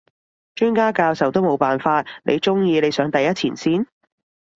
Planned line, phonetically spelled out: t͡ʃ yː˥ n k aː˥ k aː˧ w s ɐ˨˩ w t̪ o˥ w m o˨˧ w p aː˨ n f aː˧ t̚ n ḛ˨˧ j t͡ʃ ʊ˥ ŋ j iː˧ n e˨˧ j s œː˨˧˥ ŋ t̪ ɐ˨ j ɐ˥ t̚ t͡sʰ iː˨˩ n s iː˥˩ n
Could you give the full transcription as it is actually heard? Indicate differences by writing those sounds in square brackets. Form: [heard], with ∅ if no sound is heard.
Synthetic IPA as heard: t͡ʃ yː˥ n k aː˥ k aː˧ w s ɐ˨˩ w t̪ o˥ w m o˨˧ w p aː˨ n f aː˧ t̚ n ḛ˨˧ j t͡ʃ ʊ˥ ŋ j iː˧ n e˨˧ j s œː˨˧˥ ŋ t̪ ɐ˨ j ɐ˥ t̚ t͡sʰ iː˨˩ n s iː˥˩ n